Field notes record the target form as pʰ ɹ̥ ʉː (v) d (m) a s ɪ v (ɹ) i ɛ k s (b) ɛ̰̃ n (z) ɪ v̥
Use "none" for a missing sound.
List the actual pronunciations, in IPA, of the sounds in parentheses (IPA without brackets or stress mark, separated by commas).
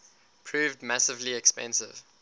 v, m, l, p, s